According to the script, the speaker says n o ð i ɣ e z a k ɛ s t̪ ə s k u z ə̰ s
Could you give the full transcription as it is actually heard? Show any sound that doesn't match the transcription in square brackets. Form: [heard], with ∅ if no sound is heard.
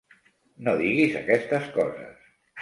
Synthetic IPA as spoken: n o ð i ɣ [i] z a k ɛ s t̪ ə s k [ɔ] z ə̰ s